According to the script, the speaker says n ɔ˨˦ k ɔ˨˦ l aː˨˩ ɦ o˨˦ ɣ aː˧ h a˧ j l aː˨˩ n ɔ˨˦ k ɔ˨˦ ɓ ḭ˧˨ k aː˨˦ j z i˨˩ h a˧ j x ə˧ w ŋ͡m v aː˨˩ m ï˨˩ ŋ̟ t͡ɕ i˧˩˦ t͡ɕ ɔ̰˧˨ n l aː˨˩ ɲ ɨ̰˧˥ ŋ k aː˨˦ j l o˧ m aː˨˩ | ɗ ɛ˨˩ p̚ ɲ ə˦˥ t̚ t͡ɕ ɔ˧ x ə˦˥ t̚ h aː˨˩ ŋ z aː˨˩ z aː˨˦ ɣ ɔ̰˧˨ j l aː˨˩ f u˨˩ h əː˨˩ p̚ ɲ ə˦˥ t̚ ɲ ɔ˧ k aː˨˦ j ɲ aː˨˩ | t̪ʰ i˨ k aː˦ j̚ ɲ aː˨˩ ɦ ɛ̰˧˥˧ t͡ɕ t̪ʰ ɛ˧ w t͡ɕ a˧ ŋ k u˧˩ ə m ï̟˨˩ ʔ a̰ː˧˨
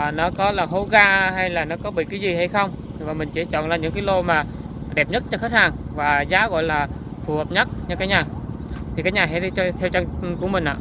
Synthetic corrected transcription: n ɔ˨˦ k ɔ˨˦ l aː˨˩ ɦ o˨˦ ɣ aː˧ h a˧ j l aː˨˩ n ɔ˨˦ k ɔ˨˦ ɓ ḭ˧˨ k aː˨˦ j z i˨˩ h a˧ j x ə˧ w ŋ͡m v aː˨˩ m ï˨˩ ŋ̟ t͡ɕ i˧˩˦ t͡ɕ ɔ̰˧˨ n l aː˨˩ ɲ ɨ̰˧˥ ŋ k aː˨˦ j l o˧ m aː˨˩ | ɗ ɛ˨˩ p̚ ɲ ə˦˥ t̚ t͡ɕ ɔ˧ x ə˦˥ t̚ h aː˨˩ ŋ v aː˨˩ z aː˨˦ ɣ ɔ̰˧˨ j l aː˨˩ f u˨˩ h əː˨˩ p̚ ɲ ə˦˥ t̚ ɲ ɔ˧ k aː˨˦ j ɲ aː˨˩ | t̪ʰ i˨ k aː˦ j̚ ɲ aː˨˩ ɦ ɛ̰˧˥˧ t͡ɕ t̪ʰ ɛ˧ w t͡ɕ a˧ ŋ k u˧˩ ə m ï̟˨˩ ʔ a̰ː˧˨

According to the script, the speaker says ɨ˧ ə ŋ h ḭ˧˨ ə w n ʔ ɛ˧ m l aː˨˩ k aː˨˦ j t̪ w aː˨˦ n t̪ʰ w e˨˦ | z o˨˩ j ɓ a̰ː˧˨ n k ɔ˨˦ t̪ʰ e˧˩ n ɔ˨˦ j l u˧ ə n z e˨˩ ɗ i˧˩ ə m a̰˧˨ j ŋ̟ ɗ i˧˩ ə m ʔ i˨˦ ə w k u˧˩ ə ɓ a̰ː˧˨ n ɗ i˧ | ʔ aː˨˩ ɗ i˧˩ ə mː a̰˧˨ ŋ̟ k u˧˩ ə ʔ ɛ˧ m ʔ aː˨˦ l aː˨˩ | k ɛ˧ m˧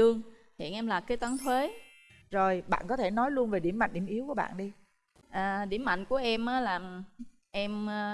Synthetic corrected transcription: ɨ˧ ə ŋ h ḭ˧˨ ə n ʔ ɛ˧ m l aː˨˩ k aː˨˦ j t̪ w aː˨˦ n t̪ʰ w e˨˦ | z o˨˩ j ɓ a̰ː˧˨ n k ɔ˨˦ t̪ʰ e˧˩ n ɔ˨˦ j l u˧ ə n v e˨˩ ɗ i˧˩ ə m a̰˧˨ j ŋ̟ ɗ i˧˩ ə m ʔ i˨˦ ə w k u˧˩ ə ɓ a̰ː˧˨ n ɗ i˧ | ʔ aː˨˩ ɗ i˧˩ ə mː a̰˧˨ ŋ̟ k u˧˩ ə ʔ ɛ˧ m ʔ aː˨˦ l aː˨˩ | ʔ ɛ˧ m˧

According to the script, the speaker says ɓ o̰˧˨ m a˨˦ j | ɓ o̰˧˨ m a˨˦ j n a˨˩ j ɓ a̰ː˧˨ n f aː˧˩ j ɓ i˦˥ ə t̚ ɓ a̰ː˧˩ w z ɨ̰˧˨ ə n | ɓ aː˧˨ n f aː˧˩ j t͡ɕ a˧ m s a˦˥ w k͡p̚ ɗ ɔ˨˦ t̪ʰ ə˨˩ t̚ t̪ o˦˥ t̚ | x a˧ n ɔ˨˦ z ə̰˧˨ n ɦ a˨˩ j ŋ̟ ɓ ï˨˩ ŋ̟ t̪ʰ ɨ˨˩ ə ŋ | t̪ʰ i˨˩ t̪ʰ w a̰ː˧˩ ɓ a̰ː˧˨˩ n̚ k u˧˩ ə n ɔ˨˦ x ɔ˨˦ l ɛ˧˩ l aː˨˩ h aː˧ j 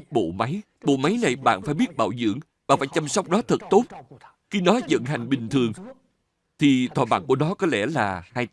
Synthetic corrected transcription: ɓ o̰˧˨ m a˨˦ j | ɓ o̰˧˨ m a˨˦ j n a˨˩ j ɓ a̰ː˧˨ n f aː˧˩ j ɓ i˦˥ ə t̚ ɓ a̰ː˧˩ w z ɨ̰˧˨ ə ŋ | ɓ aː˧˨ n f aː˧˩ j t͡ɕ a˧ m s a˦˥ w k͡p̚ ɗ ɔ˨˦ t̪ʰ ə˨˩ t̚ t̪ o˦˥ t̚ | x i˧ n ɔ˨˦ z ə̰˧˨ n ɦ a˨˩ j ŋ̟ ɓ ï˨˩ ŋ̟ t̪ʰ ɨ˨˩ ə ŋ | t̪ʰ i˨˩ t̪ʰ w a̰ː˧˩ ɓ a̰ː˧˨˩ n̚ k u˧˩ ə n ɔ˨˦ k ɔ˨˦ l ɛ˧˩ l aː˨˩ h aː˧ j

